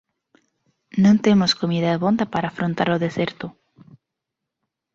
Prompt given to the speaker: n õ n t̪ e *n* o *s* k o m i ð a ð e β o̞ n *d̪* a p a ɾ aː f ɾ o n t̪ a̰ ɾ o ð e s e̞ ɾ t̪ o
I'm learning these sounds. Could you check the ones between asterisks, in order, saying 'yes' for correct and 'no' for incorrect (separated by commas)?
no, yes, yes